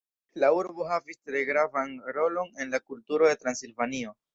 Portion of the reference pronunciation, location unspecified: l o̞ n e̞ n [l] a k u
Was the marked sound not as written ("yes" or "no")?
no